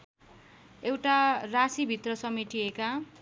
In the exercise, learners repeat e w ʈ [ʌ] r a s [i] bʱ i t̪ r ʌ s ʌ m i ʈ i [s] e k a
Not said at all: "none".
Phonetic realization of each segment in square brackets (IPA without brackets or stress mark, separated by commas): a, i, none